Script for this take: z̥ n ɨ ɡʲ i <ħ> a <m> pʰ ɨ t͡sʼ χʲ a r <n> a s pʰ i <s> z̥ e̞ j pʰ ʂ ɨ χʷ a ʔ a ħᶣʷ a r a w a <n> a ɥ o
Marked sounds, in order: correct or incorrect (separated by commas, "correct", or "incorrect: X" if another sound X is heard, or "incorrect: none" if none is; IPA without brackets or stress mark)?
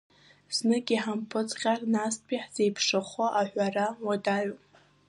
correct, correct, correct, incorrect: ħ, incorrect: d